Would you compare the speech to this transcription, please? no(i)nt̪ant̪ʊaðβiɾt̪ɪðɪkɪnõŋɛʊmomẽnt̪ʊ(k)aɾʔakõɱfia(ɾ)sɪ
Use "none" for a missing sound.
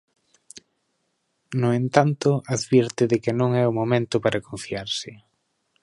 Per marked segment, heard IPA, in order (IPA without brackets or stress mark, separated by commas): e, p, ɾ